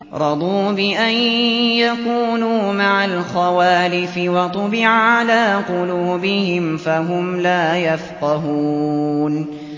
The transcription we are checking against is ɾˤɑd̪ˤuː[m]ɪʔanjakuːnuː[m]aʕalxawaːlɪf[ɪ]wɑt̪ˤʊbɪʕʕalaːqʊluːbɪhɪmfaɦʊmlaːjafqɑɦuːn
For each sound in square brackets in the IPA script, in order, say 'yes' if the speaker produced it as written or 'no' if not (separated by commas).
no, yes, yes